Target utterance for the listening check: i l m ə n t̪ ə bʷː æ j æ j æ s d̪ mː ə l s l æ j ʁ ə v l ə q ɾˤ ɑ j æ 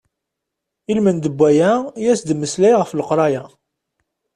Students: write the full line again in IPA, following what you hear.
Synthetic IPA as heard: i l m ə n d̪ ə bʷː æ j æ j æ s d̪ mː ə s l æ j ʁ ə f l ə q ɾˤ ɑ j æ